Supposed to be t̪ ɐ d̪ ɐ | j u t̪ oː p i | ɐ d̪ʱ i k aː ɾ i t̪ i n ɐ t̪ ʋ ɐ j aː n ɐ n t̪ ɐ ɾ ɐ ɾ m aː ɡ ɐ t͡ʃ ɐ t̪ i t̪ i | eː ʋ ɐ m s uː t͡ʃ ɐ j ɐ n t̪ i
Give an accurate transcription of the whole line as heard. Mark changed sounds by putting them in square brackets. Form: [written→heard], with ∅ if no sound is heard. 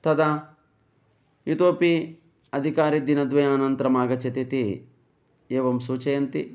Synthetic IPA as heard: t̪ ɐ d̪ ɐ | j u t̪ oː p i | ɐ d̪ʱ i k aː ɾ i [t̪→d̪] i n ɐ [t̪→d̪] ʋ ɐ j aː n ɐ n t̪ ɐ ɾ ɐ [ɾ→∅] m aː ɡ ɐ t͡ʃ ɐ t̪ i t̪ i | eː ʋ ɐ m s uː t͡ʃ ɐ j ɐ n t̪ i